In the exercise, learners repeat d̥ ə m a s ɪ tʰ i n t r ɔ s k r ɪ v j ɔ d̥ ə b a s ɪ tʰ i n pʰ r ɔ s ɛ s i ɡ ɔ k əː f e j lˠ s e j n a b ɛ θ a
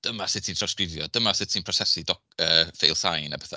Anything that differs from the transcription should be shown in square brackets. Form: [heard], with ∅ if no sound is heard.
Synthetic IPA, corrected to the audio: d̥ ə m a s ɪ tʰ i n t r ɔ s k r ɪ v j ɔ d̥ ə [m] a s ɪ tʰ i n pʰ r ɔ s ɛ s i [d] ɔ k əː f e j lˠ s [a] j n a b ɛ θ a